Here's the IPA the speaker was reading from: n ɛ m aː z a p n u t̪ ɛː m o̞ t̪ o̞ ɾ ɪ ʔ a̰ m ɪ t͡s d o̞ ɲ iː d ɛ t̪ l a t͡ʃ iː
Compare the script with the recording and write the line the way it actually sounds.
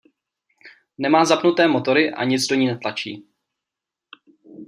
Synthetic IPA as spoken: n ɛ m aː z a p n u t̪ ɛː m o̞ t̪ o̞ ɾ ɪ ʔ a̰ ɲ ɪ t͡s d o̞ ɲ iː n ɛ t̪ l a t͡ʃ iː